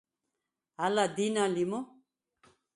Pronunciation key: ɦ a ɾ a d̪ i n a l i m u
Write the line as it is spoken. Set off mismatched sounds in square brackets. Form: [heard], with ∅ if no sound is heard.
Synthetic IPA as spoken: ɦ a [l] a d̪ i n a l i m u